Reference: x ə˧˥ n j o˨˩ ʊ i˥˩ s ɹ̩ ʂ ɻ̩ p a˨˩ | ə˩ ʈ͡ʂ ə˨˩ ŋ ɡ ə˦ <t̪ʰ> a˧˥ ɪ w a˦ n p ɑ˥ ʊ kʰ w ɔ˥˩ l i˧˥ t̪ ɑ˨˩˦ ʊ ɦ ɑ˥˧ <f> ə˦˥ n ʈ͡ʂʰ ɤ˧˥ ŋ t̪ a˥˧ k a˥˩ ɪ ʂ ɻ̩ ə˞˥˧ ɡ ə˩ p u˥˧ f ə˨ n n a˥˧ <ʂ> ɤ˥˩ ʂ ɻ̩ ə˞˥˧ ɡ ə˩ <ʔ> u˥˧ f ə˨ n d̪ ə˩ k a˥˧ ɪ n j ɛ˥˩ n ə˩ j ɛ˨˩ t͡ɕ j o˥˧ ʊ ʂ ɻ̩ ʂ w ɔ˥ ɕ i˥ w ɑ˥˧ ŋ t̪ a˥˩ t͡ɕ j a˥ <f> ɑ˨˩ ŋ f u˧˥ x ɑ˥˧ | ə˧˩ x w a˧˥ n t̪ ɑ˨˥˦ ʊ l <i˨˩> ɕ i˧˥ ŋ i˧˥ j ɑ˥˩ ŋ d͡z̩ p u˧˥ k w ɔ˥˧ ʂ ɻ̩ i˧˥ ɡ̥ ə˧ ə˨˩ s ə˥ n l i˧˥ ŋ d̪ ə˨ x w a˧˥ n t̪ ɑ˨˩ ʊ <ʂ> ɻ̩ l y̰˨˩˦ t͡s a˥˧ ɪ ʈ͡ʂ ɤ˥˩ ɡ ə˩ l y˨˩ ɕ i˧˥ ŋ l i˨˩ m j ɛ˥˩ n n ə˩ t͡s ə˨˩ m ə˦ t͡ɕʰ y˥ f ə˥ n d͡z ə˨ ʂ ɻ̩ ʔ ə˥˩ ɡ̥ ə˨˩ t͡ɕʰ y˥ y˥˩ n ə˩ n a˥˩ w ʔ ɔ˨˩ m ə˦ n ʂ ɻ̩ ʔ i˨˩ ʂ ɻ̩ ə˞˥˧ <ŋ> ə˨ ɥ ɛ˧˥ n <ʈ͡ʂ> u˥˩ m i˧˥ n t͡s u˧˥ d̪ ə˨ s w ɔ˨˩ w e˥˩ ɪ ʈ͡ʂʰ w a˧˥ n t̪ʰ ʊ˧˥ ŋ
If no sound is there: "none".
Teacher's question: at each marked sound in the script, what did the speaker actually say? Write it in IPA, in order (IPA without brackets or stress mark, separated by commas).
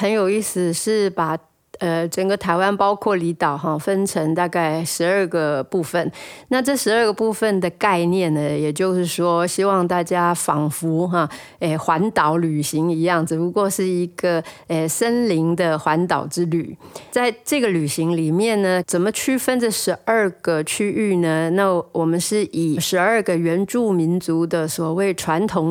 t̪ʰ, f, ʈ͡ʂ, p, f, y˨˩, ʈ͡ʂ, ɡ, ʈ͡ʂ